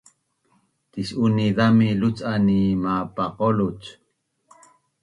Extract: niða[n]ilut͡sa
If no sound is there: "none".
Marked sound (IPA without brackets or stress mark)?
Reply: m